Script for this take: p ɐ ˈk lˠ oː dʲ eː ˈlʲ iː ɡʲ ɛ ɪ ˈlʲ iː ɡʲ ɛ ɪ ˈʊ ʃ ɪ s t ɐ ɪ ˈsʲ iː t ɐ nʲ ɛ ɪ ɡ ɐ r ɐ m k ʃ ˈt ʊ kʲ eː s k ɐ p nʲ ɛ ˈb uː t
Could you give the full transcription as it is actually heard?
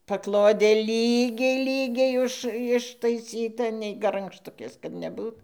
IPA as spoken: p ɐ ˈk lˠ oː dʲ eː ˈlʲ iː ɡʲ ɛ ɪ ˈlʲ iː ɡʲ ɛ ɪ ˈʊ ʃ ɪ ʃ t ɐ ɪ ˈsʲ iː t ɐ nʲ ɛ ɪ ɡ ɐ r ɐ ŋ k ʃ ˈt ʊ kʲ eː s k ɐ t nʲ ɛ ˈb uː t